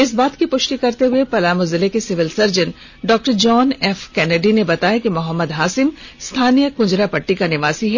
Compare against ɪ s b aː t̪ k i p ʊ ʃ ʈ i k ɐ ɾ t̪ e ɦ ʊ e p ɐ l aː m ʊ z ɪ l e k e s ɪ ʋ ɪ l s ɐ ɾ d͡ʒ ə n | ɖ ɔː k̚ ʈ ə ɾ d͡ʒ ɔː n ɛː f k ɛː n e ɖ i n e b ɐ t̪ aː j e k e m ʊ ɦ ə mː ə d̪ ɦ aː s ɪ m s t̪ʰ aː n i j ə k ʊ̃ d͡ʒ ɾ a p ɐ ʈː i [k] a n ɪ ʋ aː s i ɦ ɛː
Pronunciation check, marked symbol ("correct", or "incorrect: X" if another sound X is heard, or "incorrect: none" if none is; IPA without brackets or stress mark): correct